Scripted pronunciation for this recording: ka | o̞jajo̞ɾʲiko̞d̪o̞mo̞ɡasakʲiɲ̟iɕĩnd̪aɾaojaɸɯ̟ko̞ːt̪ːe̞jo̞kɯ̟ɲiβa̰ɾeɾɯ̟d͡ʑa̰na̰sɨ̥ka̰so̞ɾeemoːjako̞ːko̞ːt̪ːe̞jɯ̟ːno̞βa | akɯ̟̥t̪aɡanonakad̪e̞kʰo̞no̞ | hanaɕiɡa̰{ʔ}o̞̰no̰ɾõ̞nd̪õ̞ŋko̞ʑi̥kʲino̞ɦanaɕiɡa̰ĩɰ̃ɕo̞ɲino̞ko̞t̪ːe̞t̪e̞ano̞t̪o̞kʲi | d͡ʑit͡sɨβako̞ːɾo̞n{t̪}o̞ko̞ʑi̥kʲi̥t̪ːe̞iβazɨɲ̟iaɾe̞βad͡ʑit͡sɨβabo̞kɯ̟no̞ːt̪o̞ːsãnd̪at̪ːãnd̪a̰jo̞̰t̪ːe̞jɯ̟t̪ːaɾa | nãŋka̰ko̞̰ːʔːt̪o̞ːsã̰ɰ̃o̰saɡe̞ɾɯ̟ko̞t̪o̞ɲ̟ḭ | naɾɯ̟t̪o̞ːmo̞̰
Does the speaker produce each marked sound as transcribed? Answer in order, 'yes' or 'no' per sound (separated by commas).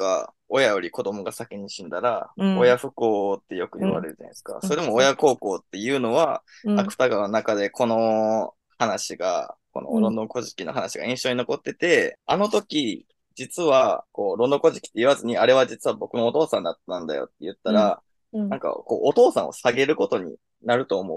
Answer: no, no